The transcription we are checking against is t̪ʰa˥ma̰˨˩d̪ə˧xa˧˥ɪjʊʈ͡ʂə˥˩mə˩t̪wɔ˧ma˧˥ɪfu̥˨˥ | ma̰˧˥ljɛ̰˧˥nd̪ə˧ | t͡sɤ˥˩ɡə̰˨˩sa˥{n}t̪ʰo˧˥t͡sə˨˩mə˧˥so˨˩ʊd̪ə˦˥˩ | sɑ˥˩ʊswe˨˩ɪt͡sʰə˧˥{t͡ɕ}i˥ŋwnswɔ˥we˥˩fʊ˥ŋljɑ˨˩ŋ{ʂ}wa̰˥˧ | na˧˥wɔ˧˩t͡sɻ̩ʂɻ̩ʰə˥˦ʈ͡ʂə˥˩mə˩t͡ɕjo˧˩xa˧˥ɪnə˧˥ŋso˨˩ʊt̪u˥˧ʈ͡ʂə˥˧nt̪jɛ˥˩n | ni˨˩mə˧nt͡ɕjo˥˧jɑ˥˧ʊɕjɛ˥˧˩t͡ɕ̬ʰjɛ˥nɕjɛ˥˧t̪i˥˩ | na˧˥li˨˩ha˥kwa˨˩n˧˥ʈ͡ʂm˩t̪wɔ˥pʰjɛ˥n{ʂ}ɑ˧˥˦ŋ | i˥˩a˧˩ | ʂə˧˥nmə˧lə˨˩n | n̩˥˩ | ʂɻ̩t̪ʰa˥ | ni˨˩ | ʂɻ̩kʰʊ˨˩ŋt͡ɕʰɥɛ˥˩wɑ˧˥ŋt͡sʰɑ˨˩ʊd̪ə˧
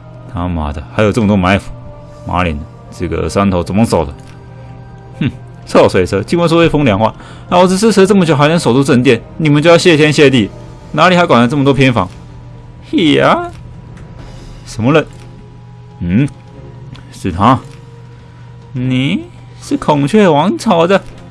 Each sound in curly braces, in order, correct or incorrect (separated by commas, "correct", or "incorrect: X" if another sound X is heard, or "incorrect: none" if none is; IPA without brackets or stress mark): correct, correct, incorrect: x, incorrect: f